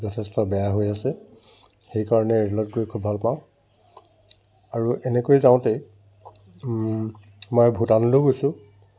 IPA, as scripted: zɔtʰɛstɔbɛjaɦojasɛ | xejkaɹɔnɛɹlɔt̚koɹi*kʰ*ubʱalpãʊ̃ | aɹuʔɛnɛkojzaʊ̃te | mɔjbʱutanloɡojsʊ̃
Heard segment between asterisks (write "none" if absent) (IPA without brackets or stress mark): kʰ